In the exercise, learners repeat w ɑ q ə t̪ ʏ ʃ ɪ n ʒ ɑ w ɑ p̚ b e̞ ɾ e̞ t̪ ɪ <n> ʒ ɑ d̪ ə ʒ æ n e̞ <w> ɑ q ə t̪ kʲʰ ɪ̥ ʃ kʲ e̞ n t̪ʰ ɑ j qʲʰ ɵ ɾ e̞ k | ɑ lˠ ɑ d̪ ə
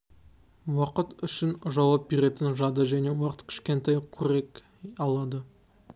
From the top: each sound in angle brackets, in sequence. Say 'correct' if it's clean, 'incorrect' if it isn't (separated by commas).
correct, correct